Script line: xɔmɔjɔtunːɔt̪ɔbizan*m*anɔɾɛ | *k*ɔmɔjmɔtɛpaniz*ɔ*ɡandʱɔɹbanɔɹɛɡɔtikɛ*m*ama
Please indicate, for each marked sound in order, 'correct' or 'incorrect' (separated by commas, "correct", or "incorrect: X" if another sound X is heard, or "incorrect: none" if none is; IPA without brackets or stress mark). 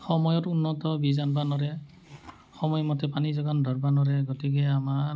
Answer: incorrect: b, incorrect: x, correct, incorrect: none